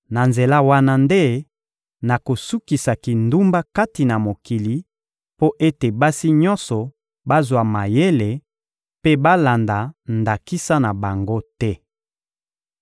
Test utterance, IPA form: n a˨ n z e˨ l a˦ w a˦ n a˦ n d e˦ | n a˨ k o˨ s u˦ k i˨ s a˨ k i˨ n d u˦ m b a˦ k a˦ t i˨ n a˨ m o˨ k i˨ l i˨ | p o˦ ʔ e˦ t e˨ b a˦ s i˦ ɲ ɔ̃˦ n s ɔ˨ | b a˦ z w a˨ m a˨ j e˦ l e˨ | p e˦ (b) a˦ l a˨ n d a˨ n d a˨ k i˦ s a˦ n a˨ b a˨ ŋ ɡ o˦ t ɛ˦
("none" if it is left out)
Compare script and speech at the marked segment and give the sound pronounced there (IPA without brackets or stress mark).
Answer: b